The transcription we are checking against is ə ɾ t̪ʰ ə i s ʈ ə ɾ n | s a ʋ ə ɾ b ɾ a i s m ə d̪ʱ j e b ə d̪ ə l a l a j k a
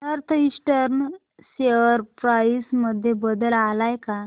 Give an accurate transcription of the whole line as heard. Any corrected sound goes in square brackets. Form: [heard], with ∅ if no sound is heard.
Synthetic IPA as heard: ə ɾ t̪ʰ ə i s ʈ ə ɾ n | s [e] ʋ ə ɾ [p] ɾ a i s m ə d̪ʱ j e b ə d̪ ə l a l a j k a